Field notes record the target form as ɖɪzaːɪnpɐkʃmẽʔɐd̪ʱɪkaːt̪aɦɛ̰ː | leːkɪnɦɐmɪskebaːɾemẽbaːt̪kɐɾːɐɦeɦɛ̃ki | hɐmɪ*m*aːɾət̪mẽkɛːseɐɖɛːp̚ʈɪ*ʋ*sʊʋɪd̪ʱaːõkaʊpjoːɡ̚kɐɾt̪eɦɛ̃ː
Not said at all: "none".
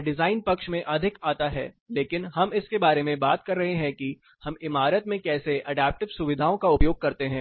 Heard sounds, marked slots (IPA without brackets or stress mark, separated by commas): m, ʋ